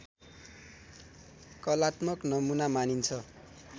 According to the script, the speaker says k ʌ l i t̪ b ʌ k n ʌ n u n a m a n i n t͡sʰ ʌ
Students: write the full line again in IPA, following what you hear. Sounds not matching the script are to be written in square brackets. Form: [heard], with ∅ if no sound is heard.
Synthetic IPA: k ʌ l [a] t̪ [m] ʌ k n ʌ [m] u n a m a n i n t͡sʰ ʌ